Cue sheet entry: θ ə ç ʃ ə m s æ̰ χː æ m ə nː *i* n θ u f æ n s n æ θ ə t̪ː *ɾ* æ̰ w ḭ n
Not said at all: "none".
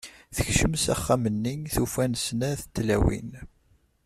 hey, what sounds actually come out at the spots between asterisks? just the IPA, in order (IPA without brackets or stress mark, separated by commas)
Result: i, l